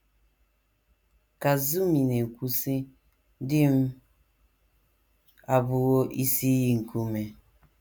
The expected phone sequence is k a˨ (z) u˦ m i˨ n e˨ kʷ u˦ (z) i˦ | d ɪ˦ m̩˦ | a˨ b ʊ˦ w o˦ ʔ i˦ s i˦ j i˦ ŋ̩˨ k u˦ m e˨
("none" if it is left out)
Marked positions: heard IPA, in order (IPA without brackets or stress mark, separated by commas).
z, s